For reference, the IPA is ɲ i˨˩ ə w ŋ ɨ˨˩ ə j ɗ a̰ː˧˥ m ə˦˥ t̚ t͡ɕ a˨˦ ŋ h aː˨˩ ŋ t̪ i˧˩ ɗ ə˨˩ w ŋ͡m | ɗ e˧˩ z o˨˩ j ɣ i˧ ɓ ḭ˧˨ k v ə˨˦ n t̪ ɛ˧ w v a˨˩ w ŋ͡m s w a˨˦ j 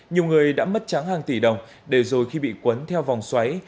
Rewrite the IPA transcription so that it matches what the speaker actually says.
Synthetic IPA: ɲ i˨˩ ə w ŋ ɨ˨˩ ə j ɗ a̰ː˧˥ m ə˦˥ t̚ t͡ɕ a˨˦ ŋ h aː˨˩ ŋ t̪ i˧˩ ɗ ə˨˩ w ŋ͡m | ɗ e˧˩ z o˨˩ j x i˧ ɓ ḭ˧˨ k w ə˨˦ n t̪ʰ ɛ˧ w v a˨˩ w ŋ͡m s w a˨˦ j